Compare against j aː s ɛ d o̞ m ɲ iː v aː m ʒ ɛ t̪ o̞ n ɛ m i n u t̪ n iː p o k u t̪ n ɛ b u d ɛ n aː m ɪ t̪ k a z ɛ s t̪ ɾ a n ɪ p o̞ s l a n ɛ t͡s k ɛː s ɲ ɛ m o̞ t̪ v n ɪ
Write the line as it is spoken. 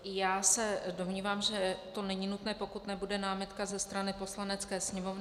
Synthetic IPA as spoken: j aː s ɛ d o̞ m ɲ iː v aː m ʒ ɛ t̪ o̞ n ɛ ɲ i n u t̪ n ɛː p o k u t̪ n ɛ b u d ɛ n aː m ɪ t̪ k a z ɛ s t̪ ɾ a n ɪ p o̞ s l a n ɛ t͡s k ɛː s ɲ ɛ m o̞ v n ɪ